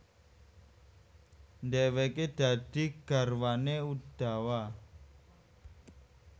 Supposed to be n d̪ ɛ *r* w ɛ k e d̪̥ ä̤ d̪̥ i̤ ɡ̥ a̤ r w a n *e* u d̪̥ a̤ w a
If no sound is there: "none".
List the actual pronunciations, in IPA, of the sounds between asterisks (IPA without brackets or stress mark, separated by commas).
none, e